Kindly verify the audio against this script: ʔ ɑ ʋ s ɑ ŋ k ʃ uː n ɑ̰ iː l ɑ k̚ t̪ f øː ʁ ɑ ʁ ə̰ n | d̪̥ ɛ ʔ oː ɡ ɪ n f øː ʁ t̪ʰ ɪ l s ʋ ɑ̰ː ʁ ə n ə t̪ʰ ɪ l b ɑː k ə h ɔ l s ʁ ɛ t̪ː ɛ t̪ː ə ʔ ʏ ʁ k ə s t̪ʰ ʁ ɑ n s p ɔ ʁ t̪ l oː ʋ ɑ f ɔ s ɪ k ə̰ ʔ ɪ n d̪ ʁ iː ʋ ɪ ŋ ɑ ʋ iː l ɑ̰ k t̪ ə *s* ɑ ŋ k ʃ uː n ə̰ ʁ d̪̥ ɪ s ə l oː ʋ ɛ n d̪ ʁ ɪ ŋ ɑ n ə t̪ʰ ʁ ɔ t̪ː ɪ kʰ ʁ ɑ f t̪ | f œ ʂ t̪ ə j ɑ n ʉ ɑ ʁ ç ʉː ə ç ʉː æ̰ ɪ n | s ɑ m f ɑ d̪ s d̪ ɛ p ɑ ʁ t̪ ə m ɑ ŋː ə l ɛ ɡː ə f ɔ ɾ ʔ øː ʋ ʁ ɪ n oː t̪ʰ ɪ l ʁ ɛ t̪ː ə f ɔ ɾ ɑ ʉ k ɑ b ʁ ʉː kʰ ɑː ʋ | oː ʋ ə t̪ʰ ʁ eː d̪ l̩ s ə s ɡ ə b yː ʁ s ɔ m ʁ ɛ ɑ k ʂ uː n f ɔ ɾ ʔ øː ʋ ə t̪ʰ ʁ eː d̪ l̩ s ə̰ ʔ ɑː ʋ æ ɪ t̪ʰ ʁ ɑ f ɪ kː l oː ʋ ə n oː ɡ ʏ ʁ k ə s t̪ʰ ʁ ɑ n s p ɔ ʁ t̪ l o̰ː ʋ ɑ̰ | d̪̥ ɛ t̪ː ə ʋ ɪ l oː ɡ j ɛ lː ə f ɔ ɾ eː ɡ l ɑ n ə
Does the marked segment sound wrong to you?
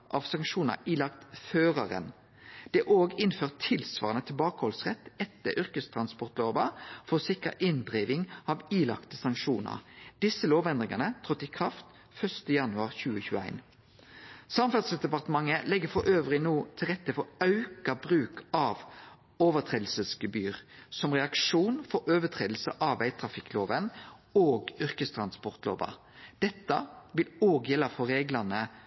no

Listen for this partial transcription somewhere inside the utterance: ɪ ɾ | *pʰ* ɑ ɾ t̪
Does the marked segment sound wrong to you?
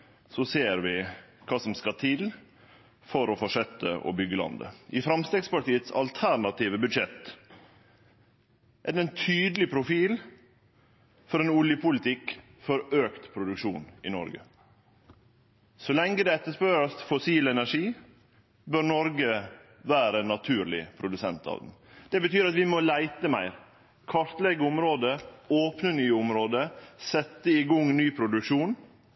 yes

